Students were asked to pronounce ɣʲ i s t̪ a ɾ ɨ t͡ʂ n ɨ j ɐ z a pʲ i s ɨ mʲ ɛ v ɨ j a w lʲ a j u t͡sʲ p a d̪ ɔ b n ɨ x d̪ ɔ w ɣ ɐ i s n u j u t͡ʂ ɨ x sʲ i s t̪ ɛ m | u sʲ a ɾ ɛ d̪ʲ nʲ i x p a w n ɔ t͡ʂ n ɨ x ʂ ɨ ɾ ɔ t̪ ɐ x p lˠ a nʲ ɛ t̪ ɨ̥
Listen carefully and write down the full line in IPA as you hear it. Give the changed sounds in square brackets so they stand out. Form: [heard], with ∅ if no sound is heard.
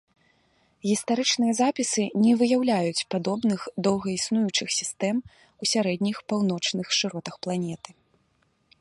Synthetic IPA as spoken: ɣʲ i s t̪ a ɾ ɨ t͡ʂ n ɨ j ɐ z a pʲ i s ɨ [nʲ] ɛ v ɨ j a w lʲ a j u t͡sʲ p a d̪ ɔ b n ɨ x d̪ ɔ w ɣ ɐ i s n u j u t͡ʂ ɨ x sʲ i s t̪ ɛ m | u sʲ a ɾ ɛ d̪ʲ nʲ i x p a w n ɔ t͡ʂ n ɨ x ʂ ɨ ɾ ɔ t̪ ɐ x p lˠ a nʲ ɛ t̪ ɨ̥